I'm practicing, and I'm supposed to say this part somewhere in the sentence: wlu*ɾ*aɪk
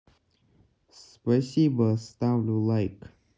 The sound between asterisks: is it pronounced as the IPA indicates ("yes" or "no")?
no